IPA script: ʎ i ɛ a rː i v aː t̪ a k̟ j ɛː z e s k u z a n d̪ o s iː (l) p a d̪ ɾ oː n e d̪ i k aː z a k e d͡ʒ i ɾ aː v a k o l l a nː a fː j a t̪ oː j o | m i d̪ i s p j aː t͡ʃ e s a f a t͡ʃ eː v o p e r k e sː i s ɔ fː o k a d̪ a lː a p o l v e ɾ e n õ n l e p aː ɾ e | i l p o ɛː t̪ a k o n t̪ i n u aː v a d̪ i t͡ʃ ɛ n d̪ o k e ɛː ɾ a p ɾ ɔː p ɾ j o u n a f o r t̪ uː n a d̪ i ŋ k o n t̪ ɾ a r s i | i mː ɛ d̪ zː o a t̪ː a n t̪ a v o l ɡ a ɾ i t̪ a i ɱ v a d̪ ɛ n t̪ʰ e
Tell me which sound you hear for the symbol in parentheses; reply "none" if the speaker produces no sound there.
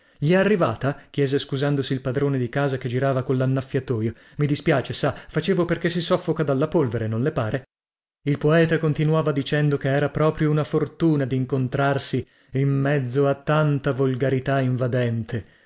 l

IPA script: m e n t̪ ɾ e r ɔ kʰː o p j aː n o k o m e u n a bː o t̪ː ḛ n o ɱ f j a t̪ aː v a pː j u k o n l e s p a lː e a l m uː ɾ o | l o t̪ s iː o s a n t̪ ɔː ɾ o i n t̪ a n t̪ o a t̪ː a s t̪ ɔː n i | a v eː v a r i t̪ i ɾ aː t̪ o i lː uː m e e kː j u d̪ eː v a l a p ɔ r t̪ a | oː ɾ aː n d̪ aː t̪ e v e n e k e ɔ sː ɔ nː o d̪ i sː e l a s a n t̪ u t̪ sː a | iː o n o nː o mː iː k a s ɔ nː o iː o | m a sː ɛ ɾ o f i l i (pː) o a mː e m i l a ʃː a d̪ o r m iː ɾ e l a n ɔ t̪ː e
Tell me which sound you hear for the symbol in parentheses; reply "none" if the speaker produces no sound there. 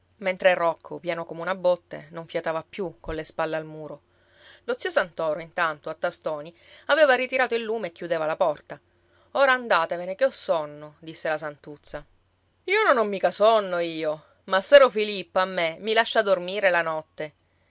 pː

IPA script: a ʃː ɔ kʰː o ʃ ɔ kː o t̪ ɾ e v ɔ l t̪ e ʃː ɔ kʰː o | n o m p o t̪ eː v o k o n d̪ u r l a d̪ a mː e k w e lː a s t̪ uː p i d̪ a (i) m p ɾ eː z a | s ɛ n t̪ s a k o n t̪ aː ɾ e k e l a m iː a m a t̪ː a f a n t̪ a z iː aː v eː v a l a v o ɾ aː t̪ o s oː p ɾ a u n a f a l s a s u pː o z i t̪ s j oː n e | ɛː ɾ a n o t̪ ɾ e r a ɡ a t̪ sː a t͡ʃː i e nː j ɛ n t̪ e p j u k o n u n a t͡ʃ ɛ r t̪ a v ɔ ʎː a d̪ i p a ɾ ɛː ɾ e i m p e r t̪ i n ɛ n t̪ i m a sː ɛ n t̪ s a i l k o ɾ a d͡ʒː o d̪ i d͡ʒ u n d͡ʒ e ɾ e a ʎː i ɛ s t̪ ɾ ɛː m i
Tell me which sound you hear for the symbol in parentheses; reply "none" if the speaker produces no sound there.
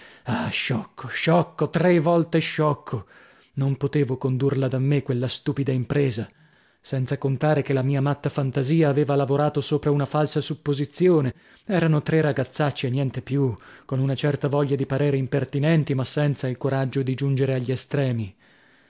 i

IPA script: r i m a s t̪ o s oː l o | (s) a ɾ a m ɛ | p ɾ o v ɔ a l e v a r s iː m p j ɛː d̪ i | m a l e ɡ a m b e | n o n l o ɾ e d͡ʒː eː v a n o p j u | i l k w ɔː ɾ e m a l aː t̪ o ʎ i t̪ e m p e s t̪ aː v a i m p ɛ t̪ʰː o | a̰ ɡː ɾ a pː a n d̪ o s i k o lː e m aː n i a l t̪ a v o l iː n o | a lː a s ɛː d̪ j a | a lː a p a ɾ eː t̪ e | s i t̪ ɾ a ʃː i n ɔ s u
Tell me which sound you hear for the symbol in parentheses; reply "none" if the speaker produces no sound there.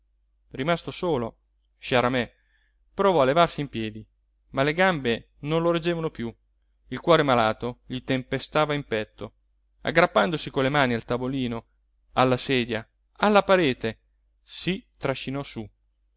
ʃ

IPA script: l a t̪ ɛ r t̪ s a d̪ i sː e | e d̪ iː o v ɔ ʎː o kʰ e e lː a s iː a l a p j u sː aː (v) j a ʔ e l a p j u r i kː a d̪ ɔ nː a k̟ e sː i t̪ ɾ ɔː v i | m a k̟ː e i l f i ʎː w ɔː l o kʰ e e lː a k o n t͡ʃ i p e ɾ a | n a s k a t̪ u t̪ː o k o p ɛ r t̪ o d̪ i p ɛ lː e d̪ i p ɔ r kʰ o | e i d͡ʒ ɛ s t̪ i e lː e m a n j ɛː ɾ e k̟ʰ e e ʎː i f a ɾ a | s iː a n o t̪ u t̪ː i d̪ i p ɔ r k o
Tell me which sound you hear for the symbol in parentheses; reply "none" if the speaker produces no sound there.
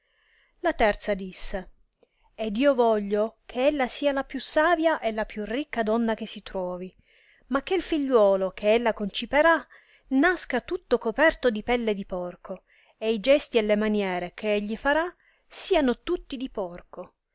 v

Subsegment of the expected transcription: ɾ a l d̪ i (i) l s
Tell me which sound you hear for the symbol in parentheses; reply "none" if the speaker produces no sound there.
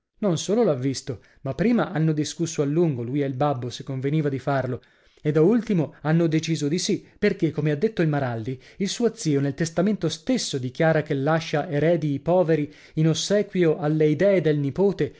i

